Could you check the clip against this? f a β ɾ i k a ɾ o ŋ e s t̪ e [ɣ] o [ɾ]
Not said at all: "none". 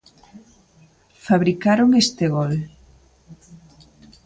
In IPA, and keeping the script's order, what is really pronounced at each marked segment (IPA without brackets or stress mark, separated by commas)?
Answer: ɣ, l